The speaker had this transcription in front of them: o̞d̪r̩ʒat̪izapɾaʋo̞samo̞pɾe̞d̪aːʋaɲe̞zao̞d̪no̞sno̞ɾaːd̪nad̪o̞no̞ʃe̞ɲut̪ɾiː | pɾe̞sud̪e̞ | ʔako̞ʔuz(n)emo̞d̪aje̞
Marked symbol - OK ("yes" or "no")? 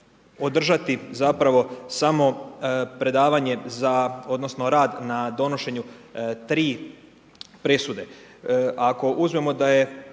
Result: no